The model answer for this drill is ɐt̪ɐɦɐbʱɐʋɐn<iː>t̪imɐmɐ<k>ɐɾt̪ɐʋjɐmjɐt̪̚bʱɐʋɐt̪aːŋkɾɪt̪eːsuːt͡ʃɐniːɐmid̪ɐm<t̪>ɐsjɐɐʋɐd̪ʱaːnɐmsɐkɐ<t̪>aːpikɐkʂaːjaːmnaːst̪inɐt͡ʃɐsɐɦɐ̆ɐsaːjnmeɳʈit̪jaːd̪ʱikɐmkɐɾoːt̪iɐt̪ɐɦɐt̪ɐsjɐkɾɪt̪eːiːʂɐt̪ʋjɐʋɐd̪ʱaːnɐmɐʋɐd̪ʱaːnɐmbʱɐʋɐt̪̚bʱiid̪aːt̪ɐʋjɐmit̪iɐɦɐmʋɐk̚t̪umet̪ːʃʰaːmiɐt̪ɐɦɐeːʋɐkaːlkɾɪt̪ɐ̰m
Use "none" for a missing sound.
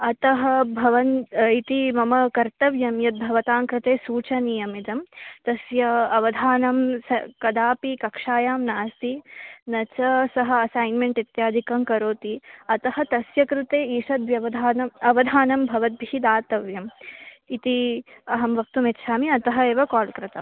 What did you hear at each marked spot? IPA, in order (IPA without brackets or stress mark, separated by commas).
i, k, t̪, d̪